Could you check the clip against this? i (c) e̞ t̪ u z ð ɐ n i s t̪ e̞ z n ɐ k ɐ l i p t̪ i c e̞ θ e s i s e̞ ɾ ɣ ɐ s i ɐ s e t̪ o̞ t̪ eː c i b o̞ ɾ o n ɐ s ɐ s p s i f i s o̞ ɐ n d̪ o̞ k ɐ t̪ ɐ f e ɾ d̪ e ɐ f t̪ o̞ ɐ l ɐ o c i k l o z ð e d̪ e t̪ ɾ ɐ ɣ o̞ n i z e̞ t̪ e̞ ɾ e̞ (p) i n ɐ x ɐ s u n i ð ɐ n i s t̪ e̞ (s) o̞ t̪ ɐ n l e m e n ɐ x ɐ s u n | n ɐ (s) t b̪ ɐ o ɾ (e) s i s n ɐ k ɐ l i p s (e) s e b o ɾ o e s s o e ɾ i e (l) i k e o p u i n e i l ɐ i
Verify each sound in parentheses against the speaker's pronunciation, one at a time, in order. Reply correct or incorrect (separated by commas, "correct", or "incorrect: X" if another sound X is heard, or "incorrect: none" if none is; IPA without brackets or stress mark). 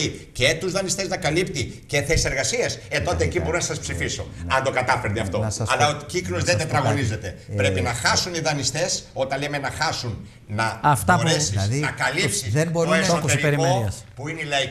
correct, correct, correct, incorrect: f, correct, incorrect: i, incorrect: ɾ